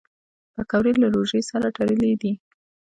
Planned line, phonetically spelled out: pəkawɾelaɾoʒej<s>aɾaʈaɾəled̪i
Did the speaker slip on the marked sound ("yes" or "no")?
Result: no